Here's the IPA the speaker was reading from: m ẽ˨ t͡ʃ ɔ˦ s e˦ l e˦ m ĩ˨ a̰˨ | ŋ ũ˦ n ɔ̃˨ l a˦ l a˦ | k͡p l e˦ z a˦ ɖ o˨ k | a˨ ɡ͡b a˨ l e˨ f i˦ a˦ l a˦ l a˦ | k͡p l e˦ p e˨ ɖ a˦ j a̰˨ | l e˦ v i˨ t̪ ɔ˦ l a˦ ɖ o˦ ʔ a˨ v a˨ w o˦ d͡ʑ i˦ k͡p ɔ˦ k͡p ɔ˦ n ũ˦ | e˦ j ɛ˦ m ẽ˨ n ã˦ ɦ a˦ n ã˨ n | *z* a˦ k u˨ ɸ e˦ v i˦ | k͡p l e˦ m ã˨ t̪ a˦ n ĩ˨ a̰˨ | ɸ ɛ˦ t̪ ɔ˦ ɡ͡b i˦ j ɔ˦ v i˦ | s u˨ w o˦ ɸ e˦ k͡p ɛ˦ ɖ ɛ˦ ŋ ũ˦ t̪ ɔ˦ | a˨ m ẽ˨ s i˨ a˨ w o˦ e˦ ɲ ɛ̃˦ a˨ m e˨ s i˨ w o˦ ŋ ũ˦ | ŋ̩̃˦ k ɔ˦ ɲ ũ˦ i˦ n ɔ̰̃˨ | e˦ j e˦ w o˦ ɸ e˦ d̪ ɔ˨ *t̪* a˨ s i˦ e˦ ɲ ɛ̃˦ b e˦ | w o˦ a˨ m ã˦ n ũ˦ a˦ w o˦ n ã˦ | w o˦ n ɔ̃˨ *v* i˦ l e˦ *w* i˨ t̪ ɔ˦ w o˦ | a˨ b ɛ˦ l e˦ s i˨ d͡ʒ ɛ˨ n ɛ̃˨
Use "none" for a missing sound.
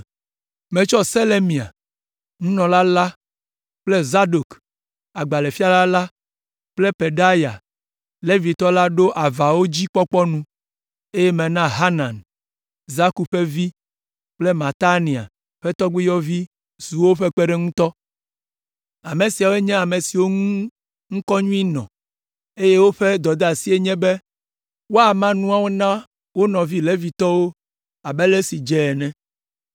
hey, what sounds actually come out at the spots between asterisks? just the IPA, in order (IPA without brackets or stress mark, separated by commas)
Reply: z, d̪, v, v